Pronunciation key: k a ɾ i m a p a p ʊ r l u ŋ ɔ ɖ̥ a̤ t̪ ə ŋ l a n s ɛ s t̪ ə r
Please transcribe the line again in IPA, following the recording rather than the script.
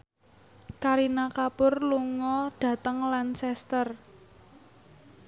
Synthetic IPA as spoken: k a ɾ i n a k a p ʊ r l u ŋ ɔ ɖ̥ a̤ t̪ ə ŋ l a n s ɛ s t̪ ə r